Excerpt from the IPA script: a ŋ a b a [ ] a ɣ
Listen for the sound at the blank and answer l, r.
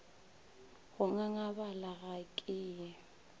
l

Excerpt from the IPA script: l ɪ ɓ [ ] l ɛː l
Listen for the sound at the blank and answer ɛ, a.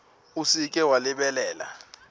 ɛ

